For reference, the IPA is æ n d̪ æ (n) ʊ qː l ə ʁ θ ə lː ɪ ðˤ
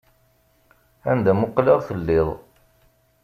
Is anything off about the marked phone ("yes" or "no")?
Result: yes